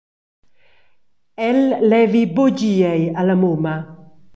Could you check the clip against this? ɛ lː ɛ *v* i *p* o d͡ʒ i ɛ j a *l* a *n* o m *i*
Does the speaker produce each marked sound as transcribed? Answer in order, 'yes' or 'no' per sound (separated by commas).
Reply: yes, no, yes, no, no